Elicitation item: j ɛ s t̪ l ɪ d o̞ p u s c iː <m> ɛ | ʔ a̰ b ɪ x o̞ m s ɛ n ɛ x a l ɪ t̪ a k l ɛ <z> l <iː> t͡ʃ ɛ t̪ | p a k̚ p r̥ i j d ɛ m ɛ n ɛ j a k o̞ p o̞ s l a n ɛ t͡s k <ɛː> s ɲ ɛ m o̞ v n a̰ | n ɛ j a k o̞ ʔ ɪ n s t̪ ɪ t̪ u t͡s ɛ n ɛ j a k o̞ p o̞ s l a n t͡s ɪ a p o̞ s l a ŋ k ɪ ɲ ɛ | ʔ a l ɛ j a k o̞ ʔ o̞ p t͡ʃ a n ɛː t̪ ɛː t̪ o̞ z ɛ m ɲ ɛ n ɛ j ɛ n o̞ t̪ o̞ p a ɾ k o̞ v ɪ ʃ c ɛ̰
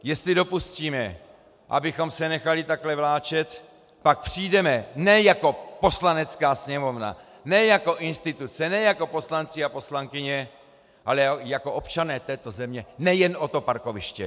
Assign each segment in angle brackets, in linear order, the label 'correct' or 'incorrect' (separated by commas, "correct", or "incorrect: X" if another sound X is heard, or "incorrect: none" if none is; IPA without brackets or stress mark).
correct, incorrect: v, incorrect: aː, incorrect: aː